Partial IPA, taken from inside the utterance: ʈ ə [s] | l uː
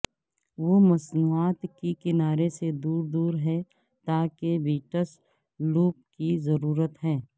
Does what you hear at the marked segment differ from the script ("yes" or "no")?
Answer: no